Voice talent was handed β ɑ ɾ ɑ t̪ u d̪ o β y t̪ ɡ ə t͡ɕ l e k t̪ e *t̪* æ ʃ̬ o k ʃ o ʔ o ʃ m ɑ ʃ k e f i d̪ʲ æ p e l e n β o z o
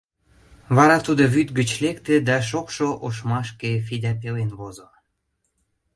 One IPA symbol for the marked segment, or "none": d̪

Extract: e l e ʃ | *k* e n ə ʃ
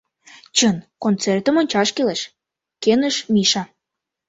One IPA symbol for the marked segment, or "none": k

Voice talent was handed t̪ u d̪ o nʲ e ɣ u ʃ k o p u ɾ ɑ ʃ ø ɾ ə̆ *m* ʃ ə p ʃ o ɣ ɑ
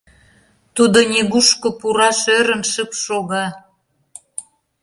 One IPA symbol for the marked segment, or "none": n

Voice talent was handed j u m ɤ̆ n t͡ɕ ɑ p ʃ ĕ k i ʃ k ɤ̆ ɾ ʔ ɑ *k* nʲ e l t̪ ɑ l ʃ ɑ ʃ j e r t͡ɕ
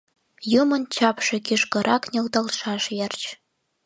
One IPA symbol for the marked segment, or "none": k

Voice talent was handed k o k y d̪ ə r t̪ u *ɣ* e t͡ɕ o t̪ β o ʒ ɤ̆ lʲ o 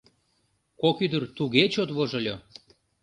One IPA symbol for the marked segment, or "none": ɣ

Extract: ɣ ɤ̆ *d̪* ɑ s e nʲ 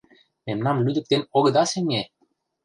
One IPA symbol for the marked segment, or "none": d̪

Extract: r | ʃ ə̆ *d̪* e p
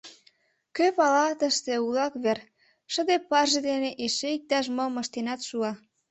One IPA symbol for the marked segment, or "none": d̪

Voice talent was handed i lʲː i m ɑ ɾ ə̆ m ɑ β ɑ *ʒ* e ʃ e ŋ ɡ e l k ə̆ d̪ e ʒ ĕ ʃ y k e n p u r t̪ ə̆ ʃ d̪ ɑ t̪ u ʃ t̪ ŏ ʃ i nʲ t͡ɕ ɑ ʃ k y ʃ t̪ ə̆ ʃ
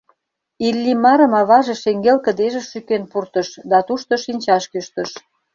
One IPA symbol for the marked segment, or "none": ʒ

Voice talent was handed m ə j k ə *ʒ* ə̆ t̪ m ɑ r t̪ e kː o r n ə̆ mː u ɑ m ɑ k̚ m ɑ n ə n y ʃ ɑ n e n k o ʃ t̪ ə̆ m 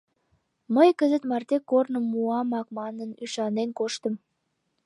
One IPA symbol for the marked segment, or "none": z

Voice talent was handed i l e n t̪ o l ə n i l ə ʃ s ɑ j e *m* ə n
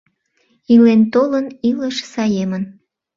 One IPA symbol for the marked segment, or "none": m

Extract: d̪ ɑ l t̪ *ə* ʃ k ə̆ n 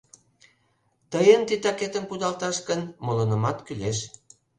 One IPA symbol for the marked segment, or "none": ɑ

